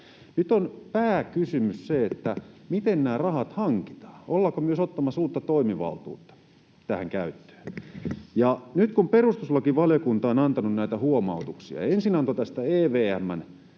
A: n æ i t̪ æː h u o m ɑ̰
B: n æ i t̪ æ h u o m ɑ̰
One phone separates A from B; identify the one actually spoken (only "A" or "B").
B